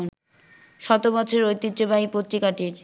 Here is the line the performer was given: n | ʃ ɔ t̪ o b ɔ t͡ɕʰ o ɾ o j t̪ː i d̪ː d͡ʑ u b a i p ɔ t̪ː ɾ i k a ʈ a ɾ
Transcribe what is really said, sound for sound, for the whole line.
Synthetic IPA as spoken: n | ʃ ɔ t̪ o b ɔ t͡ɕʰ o ɾ o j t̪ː i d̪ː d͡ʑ o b a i p o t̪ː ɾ i k a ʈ i ɾ